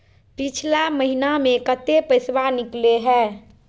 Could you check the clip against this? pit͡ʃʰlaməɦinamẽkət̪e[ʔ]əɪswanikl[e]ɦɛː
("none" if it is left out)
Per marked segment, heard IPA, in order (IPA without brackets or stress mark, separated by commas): p, e